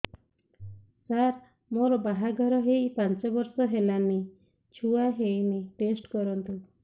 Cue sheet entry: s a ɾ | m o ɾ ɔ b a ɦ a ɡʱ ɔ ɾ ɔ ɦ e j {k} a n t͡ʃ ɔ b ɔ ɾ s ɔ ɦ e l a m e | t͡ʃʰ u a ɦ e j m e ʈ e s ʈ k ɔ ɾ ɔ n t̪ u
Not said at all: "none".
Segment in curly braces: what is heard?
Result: p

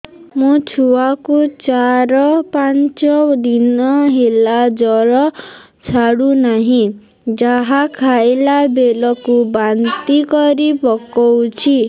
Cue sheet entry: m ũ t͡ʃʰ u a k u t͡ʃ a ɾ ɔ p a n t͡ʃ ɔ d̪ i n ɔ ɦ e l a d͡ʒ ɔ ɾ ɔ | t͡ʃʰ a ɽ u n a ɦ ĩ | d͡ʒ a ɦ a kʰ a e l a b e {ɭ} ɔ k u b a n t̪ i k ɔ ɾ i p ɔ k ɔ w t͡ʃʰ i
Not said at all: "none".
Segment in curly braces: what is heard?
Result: l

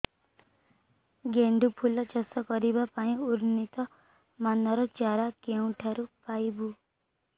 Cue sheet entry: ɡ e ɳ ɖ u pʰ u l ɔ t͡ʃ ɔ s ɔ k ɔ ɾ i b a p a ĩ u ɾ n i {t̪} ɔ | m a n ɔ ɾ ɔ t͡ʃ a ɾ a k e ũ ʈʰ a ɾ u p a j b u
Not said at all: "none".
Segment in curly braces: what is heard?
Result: t̪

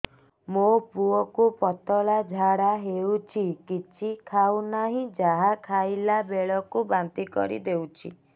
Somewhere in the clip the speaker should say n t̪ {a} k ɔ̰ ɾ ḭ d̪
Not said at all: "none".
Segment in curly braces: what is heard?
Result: i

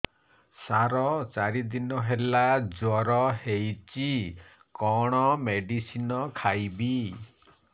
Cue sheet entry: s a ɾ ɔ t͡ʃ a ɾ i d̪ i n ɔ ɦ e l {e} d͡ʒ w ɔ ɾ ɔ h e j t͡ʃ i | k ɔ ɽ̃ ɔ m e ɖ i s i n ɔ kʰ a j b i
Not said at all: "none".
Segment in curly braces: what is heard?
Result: a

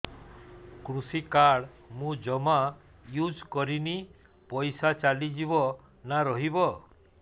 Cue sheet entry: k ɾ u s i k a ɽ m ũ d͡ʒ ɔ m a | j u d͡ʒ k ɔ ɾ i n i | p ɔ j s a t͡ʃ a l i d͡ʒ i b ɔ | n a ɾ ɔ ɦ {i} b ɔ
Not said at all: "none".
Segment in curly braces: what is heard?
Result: i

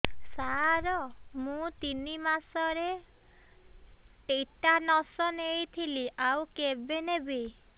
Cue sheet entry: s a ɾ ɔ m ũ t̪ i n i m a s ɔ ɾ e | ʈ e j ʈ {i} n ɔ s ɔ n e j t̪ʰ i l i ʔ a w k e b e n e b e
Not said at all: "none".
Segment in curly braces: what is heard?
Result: a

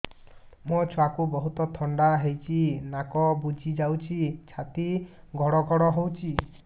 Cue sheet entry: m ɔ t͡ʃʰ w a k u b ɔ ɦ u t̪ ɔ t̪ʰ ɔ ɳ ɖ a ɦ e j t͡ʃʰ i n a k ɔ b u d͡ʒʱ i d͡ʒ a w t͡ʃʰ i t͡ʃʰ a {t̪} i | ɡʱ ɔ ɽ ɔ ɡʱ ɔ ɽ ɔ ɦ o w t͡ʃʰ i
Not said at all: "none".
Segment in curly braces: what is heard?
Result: t̪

